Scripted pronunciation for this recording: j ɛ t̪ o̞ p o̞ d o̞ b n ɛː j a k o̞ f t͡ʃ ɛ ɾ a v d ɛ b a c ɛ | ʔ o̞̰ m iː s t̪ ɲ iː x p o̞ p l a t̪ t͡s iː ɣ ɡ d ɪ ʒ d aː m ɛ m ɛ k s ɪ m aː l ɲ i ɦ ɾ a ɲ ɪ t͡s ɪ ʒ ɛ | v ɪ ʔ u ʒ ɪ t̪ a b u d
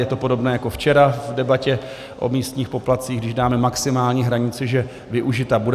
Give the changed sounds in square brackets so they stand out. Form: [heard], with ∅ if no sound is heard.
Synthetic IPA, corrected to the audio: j ɛ t̪ o̞ p o̞ d o̞ b n ɛː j a k o̞ f t͡ʃ ɛ ɾ a v d ɛ b a c ɛ | ʔ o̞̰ m iː s t̪ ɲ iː x p o̞ p l a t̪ t͡s iː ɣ ɡ d ɪ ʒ d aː m ɛ m [a] k s ɪ m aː l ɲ i ɦ ɾ a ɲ ɪ t͡s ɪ ʒ ɛ | v ɪ ʔ u ʒ ɪ t̪ a b u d